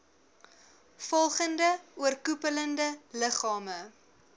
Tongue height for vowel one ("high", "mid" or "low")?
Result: mid